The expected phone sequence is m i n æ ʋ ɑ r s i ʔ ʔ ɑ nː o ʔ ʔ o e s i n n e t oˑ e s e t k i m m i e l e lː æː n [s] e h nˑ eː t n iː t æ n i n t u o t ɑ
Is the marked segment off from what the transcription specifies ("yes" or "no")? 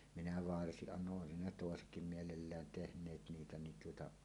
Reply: yes